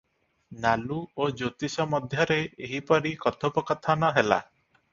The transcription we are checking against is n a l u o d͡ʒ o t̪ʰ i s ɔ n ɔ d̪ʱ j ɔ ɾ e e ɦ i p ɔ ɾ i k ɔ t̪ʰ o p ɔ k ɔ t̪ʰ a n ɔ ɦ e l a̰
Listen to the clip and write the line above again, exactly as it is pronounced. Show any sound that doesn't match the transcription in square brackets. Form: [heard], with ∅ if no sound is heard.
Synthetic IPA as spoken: n a l u o d͡ʒ o [t̪] i s ɔ [m] ɔ d̪ʱ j ɔ ɾ e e ɦ i p ɔ ɾ i k ɔ t̪ʰ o p ɔ k ɔ t̪ʰ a n ɔ ɦ e l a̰

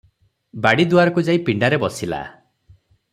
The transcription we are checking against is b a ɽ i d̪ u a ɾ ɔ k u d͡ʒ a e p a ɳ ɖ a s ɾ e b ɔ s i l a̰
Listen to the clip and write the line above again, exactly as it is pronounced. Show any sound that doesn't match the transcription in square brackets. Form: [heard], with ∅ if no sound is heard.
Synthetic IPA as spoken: b a ɽ i d̪ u a ɾ ɔ k u d͡ʒ a [i] p [i] ɳ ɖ a [∅] ɾ e b ɔ s i l a̰

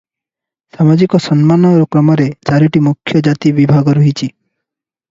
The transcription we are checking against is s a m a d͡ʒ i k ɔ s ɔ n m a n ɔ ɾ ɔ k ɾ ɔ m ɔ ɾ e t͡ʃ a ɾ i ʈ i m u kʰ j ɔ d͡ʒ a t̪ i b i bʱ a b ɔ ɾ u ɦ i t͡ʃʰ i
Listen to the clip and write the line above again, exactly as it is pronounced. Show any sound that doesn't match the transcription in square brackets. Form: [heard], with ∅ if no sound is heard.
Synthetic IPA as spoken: s a m a d͡ʒ i k ɔ s ɔ n m a n ɔ ɾ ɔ k ɾ ɔ m ɔ ɾ e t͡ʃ a ɾ i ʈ i m u kʰ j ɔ d͡ʒ a t̪ i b i bʱ a [ɡ] ɔ ɾ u ɦ i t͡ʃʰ i

